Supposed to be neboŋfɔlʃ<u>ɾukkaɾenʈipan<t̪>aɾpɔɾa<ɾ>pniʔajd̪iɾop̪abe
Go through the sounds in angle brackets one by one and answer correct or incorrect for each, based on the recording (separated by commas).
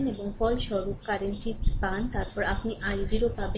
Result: incorrect, correct, incorrect